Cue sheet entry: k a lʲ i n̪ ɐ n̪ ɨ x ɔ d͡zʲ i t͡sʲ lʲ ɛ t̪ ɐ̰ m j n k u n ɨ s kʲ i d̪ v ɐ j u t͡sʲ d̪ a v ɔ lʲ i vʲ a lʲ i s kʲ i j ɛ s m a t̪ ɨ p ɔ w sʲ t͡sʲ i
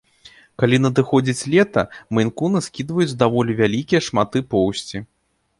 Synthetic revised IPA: k a lʲ i n̪ ɐ d̪ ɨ x ɔ d͡zʲ i t͡sʲ lʲ ɛ t̪ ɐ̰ m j n k u n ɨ s kʲ i d̪ v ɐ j u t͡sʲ d̪ a v ɔ lʲ i vʲ a lʲ i kʲ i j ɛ ʂ m a t̪ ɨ p ɔ w sʲ t͡sʲ i